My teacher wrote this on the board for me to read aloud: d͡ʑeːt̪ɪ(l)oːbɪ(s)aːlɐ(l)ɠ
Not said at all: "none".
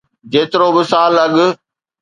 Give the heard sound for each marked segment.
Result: ɾ, s, none

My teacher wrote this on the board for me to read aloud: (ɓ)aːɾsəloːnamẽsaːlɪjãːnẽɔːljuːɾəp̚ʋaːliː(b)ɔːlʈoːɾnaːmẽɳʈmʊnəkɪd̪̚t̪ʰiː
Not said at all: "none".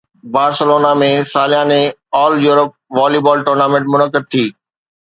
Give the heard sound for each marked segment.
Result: b, b

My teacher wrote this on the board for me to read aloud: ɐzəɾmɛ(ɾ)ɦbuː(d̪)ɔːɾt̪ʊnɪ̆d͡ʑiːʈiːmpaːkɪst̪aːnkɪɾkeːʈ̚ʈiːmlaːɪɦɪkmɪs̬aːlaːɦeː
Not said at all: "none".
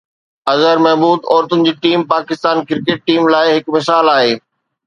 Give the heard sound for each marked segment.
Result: none, d̪

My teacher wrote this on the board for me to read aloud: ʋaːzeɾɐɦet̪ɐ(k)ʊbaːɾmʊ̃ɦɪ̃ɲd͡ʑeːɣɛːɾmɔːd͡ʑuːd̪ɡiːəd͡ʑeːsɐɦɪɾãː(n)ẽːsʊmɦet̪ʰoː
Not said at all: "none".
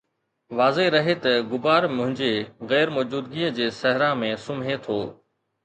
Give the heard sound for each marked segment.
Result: ɡ, m

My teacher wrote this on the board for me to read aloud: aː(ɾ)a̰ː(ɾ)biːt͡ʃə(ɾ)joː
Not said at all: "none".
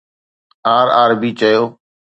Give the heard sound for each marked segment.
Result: ɾ, ɾ, none

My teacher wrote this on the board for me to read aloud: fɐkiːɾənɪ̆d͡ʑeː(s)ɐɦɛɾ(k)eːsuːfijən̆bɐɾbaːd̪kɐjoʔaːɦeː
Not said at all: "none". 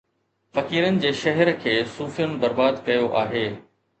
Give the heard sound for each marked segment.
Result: ʃ, kʰ

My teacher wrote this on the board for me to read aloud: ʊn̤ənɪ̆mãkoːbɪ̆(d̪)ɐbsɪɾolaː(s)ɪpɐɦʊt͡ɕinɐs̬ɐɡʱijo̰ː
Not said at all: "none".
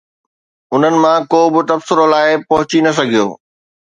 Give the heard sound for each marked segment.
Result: t̪, none

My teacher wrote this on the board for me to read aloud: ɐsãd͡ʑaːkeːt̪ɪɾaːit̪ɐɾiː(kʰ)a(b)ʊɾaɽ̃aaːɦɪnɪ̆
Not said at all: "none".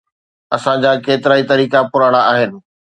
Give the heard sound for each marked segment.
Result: k, p

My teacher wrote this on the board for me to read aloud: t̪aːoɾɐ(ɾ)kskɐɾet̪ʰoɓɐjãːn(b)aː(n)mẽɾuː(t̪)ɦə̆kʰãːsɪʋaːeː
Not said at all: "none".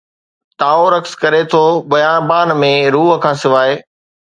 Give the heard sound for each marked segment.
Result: none, b, n, none

